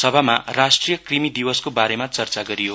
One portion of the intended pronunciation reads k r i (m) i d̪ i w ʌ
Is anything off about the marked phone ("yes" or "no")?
no